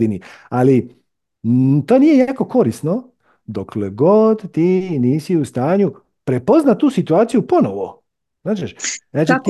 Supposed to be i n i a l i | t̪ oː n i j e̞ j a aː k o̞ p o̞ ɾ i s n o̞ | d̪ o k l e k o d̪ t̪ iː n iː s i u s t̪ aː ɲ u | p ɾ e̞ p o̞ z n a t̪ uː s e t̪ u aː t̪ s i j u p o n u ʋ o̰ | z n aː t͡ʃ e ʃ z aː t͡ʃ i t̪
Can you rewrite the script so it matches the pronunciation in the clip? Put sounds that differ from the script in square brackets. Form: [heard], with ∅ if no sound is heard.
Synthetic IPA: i n i a l i | t̪ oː n i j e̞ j a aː k o̞ [k] o̞ ɾ i s n o̞ | d̪ o k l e [ɡ] o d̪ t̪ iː n iː s i u s t̪ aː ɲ u | p ɾ e̞ p o̞ z n a t̪ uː s [i] t̪ u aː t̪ s i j u p o n [o] ʋ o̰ | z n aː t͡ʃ e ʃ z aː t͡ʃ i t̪